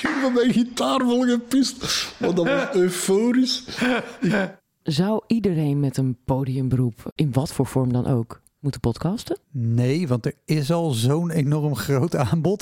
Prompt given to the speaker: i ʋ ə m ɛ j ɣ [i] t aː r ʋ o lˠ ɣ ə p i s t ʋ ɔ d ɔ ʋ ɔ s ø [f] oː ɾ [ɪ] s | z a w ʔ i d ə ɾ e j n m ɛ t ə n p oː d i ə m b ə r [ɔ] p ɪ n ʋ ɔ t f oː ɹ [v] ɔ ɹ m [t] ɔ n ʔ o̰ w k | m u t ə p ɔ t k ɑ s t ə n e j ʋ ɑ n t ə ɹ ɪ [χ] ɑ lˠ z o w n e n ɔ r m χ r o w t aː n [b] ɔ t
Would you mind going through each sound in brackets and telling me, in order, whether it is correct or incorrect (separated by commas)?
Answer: correct, correct, incorrect, incorrect, incorrect, incorrect, incorrect, correct